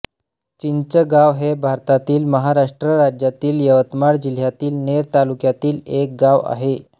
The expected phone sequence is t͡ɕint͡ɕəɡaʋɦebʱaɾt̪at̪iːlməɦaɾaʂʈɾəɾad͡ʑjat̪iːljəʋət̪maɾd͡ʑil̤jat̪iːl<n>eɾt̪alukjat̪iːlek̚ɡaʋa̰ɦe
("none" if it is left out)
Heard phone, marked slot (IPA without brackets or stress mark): n